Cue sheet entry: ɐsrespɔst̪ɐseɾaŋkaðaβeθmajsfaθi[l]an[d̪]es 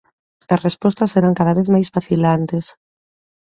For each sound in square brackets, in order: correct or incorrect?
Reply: correct, incorrect: t̪

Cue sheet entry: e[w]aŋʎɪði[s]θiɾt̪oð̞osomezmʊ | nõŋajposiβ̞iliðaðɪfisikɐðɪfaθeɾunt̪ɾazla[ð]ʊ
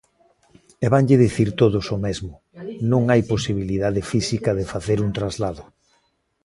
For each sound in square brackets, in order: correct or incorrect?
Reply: incorrect: β, incorrect: none, correct

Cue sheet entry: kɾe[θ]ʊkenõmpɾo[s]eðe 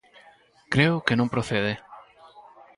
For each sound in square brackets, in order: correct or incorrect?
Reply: incorrect: none, incorrect: θ

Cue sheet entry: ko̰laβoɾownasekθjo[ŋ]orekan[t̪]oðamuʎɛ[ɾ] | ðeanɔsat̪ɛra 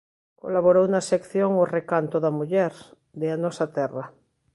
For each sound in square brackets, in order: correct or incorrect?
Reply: correct, correct, correct

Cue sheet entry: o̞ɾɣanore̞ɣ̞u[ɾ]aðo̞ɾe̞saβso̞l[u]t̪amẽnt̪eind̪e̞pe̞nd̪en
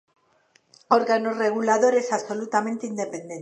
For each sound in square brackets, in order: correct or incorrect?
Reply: incorrect: l, correct

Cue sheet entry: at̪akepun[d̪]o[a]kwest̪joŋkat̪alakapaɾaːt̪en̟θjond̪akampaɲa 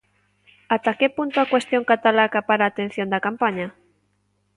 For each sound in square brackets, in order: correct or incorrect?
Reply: incorrect: t̪, correct

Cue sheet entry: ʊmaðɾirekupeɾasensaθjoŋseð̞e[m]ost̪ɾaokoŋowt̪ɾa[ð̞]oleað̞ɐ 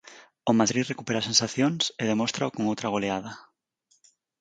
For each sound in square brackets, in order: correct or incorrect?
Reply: correct, incorrect: ɣ̞

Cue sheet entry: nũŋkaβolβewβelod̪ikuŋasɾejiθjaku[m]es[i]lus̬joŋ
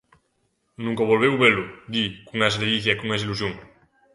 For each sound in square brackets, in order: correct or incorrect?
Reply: incorrect: ŋ, correct

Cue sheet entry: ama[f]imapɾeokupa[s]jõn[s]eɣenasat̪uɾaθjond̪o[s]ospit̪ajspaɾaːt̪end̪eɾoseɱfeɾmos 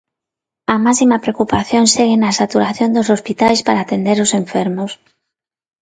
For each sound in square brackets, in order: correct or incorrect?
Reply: incorrect: s, incorrect: θ, correct, correct

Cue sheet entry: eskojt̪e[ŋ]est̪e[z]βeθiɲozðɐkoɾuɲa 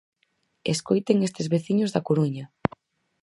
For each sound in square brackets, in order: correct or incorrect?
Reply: correct, correct

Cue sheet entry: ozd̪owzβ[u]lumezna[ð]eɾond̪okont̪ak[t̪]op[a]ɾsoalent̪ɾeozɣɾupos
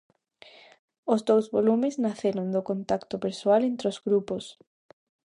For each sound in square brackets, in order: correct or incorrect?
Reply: incorrect: o, incorrect: θ, correct, incorrect: e

